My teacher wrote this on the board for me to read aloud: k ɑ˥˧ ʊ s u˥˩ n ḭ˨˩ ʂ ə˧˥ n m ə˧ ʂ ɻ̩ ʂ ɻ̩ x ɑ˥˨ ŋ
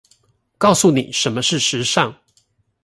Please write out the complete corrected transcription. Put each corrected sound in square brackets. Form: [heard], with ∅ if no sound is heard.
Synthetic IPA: k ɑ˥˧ ʊ s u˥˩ n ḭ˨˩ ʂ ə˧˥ n m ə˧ ʂ ɻ̩ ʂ ɻ̩ [ʂ] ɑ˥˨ ŋ